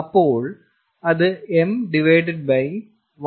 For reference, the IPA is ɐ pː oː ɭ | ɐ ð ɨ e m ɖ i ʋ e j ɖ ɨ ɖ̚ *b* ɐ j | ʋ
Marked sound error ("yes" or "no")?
no